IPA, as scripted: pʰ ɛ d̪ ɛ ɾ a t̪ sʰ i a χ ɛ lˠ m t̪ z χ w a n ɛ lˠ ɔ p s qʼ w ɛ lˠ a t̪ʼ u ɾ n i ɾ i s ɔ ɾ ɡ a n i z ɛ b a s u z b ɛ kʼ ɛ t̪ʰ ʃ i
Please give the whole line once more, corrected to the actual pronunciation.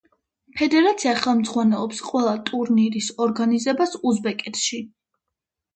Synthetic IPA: pʰ ɛ d̪ ɛ ɾ a t̪ sʰ i a χ ɛ lˠ m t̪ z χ w a n ɛ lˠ ɔ p s qʼ w ɛ lˠ a t̪ʼ u ɾ n i ɾ i s ɔ ɾ ɡ a n i z ɛ b a s u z b ɛ kʼ ɛ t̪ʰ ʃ i